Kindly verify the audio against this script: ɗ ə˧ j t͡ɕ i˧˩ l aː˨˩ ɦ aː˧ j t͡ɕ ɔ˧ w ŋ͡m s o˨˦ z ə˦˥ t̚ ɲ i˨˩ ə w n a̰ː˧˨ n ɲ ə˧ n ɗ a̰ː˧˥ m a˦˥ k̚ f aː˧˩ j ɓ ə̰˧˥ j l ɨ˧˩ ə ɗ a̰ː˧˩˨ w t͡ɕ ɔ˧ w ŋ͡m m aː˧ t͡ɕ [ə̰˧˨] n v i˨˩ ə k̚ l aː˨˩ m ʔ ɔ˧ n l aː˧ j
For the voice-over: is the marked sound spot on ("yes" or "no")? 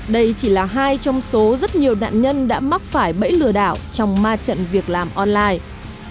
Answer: yes